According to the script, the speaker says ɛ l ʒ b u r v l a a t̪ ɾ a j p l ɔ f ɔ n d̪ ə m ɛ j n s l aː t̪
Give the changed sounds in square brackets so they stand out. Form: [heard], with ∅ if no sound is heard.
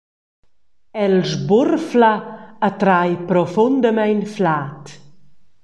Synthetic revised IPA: ɛ l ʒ b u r [f] l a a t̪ ɾ a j p [ɾ] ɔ f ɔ n d̪ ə m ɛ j n [f] l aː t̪